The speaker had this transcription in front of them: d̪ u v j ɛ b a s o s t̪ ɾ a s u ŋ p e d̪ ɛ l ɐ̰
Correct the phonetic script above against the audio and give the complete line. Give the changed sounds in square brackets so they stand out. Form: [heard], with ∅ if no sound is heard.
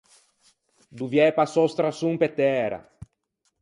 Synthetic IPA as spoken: d̪ u v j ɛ [p] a s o s t̪ ɾ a s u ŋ p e [t̪] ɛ [ɾ] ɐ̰

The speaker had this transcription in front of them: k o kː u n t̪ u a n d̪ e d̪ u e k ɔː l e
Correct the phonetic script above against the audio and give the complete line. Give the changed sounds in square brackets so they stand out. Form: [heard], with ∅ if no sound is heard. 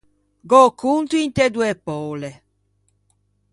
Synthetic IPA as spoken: [ɡ] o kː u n t̪ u [i] n [t̪] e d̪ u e [p] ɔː l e

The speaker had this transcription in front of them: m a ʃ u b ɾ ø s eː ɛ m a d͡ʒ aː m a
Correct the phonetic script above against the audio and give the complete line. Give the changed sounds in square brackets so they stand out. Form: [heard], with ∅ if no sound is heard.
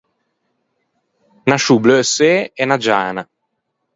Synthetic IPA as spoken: [n] a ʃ u b [l] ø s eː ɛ [n] a d͡ʒ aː [n] a

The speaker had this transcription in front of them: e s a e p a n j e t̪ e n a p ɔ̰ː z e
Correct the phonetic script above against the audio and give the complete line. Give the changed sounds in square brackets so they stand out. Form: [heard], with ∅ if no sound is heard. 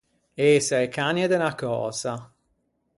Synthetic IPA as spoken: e s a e [k] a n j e [d̪] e n a [k] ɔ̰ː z [a]

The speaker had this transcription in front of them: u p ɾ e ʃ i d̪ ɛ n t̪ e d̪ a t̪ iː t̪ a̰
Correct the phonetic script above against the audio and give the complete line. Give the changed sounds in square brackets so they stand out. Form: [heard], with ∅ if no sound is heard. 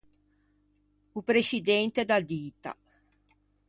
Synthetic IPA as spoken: u p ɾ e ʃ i d̪ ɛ n t̪ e d̪ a [d̪] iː t̪ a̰

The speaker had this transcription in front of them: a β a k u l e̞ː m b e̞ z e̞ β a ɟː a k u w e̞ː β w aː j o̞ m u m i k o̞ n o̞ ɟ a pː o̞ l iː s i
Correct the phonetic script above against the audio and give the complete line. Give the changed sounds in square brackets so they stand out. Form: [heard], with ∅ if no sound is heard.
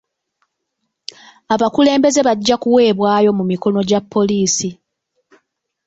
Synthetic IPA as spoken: a β a k u l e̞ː m b e̞ z e̞ β a ɟː a k u w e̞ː β w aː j o̞ m u m i k o̞ n o̞ ɟ a pː o̞ l iː s i

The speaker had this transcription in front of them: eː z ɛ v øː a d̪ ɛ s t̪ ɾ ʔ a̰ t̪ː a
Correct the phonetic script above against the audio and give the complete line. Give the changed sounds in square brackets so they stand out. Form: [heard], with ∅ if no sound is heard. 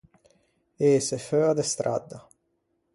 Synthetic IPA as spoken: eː [s] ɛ [f] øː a d̪ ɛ s t̪ ɾ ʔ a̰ [d̪ː] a

